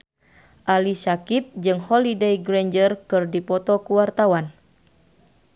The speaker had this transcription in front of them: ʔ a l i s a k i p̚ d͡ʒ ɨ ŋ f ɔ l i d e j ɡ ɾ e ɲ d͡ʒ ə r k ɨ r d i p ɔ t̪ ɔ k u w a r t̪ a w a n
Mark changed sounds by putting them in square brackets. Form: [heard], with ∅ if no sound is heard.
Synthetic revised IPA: ʔ a l i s a k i p̚ d͡ʒ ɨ ŋ [h] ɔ l i d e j ɡ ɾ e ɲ d͡ʒ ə r k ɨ r d i p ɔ t̪ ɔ k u w a r t̪ a w a n